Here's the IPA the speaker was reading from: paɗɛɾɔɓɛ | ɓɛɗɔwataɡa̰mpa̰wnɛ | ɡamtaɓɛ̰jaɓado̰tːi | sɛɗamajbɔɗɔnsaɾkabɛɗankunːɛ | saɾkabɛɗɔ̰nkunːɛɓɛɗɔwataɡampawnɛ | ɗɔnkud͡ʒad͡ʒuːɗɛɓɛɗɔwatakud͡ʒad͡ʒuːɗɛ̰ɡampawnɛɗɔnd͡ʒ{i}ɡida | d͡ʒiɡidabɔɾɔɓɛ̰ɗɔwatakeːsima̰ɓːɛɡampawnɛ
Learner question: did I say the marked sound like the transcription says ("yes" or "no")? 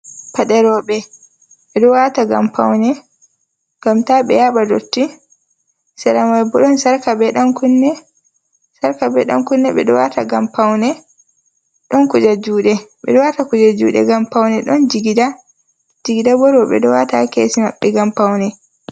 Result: yes